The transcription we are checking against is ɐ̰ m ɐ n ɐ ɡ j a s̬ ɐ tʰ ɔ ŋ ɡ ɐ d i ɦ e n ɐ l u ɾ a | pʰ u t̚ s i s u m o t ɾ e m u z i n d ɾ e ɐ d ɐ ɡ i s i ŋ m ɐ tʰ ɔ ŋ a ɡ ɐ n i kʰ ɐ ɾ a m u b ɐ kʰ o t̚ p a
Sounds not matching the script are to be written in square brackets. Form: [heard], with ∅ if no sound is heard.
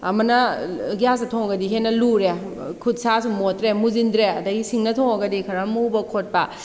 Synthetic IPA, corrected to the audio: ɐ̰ m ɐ n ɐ ɡ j a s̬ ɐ tʰ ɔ ŋ ɡ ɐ d i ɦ e n ɐ l u ɾ [e] | [kʰ] u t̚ s [a] s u m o t ɾ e m u z i n d ɾ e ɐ d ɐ ɡ i s i ŋ [n] ɐ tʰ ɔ ŋ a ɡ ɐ [d] i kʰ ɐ ɾ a m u b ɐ kʰ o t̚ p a